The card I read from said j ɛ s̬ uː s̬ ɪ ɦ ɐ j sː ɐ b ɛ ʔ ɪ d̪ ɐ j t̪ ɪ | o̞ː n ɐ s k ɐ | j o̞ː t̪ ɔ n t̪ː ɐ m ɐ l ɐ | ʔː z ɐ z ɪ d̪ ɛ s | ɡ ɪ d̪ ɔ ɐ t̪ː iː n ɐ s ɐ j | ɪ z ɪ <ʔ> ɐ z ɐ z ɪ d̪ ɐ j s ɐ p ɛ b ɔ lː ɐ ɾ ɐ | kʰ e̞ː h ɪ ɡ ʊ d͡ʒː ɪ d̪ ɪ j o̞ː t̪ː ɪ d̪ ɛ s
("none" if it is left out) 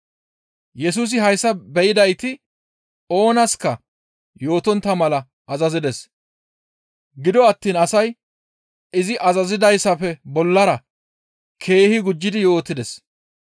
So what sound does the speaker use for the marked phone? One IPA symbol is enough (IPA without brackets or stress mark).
ʔ